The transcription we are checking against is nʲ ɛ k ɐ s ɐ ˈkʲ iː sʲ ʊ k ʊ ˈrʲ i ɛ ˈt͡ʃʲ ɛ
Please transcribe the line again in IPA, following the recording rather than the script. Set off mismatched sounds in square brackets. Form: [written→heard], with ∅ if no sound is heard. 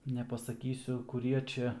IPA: nʲ ɛ [k→p] ɐ s ɐ ˈkʲ iː sʲ ʊ k ʊ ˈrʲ i ɛ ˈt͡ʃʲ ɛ